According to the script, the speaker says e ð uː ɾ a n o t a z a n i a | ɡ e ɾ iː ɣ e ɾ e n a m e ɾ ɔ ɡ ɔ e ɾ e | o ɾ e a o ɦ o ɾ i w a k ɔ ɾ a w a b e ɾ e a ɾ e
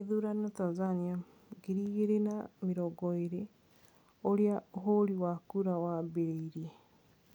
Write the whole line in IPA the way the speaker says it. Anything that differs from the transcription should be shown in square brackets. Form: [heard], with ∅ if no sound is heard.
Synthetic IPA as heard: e ð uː ɾ a n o t a z a n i a | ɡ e ɾ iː ɣ e ɾ e n a m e ɾ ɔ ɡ ɔ e ɾ e | o ɾ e a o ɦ o ɾ i w a k [u] ɾ a w a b e ɾ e [i] ɾ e